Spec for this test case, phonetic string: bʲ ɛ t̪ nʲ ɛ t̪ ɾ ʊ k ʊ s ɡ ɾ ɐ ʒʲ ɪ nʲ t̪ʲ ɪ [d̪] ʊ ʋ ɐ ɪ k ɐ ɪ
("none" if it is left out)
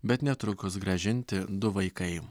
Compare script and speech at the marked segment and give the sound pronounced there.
d̪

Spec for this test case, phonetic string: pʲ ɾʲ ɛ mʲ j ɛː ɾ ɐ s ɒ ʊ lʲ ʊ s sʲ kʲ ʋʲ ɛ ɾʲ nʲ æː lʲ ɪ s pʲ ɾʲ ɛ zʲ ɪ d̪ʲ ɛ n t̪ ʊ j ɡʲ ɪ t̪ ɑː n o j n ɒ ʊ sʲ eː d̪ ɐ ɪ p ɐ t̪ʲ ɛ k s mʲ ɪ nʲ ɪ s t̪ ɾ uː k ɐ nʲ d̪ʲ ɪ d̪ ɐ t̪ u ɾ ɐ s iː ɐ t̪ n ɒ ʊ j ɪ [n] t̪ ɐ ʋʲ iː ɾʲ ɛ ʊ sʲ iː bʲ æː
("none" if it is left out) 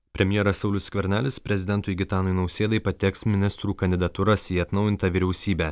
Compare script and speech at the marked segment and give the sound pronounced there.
n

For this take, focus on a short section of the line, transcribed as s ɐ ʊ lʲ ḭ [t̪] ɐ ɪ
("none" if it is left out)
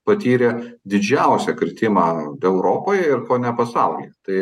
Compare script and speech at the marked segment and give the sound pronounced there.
t̪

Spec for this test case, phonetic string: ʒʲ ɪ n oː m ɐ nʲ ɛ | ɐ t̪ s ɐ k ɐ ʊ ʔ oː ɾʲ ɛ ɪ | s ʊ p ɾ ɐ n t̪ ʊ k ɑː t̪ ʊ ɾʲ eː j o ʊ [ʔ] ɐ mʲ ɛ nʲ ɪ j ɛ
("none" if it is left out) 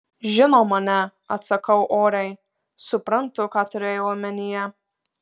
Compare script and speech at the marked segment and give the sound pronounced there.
none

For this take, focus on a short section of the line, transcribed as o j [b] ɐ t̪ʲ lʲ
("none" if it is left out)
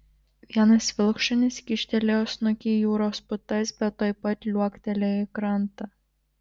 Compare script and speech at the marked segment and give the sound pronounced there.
p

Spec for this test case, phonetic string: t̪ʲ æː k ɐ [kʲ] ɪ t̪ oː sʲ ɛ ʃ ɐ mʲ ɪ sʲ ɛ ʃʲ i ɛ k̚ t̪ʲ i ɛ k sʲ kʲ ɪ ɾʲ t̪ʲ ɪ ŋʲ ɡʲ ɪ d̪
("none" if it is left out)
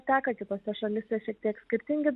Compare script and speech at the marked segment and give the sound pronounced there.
kʲ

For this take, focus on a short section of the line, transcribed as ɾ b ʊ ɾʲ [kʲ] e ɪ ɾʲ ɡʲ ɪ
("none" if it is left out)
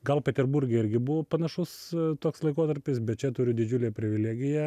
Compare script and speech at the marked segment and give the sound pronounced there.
ɡʲ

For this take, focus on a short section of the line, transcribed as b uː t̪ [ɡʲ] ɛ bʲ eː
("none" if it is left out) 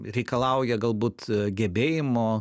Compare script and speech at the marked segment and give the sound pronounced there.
ɡʲ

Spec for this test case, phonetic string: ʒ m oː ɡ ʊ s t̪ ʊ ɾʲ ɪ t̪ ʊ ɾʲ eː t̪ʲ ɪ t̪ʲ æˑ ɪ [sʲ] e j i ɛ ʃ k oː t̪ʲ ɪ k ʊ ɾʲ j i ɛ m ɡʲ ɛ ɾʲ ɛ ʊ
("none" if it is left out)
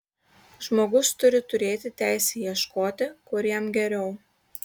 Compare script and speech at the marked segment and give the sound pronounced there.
sʲ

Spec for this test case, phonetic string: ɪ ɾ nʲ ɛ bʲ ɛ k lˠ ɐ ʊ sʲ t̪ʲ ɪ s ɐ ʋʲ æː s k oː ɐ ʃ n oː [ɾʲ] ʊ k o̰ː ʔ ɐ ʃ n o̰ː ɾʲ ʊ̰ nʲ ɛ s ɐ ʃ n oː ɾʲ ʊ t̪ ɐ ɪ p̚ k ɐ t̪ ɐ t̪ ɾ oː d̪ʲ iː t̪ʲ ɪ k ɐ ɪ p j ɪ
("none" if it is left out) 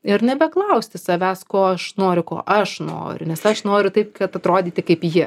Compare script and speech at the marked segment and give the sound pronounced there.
ɾʲ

